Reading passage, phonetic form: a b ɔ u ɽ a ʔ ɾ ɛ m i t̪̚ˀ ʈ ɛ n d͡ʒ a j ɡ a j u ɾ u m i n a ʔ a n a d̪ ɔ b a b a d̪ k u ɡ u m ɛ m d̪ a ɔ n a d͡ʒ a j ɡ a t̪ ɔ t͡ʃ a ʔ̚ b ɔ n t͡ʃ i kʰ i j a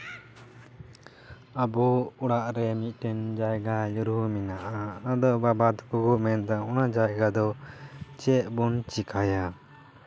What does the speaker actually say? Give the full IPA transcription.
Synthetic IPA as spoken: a b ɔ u ɽ a ʔ ɾ ɛ m i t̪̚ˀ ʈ ɛ n d͡ʒ a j ɡ a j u ɾ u m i n a ʔ a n a d̪ ɔ b a b a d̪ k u ɡ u m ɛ n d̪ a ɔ n a d͡ʒ a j ɡ a d̪ ɔ t͡ʃ ɛ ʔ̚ b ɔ n t͡ʃ i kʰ a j a